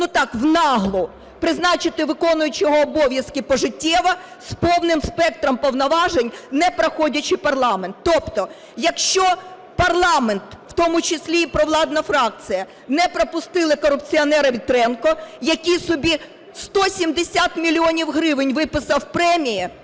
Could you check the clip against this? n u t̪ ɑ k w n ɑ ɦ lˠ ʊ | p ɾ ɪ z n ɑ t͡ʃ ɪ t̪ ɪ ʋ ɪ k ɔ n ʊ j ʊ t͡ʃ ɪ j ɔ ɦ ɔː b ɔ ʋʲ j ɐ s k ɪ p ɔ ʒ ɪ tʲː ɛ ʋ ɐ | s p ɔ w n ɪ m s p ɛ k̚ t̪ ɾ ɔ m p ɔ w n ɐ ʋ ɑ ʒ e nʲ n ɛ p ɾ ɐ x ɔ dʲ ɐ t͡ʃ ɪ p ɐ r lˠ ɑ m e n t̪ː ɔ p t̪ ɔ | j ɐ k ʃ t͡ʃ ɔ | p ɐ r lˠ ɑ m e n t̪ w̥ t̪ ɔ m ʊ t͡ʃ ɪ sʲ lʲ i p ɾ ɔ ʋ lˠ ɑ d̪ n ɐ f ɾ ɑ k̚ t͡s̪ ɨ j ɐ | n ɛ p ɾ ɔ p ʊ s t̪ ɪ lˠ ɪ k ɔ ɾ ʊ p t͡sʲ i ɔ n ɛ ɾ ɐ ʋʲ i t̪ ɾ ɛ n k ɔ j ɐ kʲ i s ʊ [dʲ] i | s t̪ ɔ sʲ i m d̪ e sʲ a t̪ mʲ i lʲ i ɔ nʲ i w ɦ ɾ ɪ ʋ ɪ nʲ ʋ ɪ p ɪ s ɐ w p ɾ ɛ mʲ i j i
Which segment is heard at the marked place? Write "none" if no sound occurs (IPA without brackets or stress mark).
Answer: bʲ